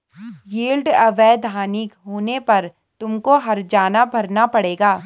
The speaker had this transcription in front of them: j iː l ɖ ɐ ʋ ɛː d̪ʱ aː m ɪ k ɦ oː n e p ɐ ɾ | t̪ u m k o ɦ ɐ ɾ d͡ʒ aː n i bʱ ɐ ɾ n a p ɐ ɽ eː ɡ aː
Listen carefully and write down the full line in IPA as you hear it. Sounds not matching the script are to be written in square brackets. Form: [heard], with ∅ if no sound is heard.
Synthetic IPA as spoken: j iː l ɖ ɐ ʋ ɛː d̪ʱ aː [n] ɪ k ɦ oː n e p ɐ ɾ | t̪ [ʊ] m k o ɦ ɐ ɾ d͡ʒ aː n [a] bʱ ɐ ɾ n a p ɐ ɽ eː ɡ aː